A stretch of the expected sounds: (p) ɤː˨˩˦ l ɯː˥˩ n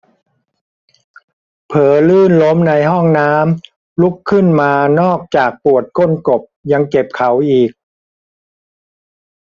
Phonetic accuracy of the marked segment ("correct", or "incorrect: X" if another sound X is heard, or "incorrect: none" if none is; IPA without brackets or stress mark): incorrect: pʰ